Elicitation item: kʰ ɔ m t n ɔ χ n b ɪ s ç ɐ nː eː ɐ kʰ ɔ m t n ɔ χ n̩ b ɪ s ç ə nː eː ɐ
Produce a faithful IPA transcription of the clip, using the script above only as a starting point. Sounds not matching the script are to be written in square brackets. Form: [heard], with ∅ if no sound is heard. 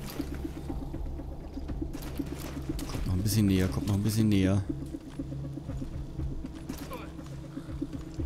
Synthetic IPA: kʰ ɔ m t n ɔ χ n b ɪ s ç [ə] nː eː ɐ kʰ ɔ m t n ɔ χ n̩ b ɪ s ç ə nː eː ɐ